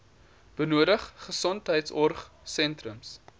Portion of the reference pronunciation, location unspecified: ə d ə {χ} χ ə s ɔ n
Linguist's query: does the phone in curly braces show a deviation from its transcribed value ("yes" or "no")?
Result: no